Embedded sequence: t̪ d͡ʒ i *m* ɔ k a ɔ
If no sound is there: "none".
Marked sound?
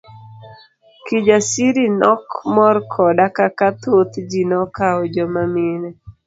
n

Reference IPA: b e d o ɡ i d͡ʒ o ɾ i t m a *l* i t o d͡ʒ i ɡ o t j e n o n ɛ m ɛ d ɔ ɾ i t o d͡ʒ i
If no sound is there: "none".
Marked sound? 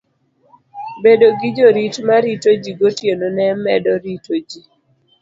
ɾ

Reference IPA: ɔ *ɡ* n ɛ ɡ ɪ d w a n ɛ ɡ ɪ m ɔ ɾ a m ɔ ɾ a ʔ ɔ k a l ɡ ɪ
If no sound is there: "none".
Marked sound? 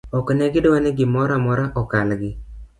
k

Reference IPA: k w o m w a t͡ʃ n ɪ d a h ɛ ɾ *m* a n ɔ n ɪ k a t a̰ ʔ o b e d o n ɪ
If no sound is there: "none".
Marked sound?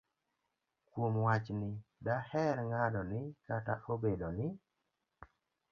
ŋ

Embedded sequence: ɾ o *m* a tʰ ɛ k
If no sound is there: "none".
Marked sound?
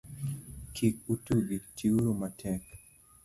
m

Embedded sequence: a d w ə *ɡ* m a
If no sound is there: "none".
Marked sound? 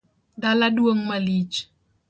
ŋ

